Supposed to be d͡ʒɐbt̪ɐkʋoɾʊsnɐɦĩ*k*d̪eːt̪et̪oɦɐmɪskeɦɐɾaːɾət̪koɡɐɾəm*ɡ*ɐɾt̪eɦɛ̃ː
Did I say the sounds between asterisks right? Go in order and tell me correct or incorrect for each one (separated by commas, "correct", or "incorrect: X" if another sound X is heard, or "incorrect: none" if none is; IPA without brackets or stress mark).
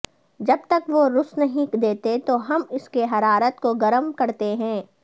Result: correct, incorrect: k